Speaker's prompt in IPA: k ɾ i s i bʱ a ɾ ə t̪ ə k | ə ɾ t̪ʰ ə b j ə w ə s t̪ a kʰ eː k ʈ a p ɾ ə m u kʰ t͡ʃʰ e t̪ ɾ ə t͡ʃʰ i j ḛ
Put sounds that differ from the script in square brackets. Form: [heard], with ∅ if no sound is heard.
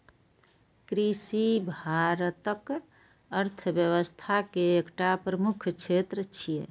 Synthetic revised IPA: k ɾ i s i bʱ a ɾ ə t̪ ə k | ə ɾ t̪ʰ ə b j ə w ə s [t̪ʰ] a [k] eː k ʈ a p ɾ ə m u kʰ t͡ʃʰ e t̪ ɾ ə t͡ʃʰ i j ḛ